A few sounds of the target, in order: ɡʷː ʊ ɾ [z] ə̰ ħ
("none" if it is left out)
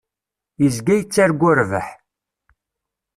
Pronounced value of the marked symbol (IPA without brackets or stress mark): v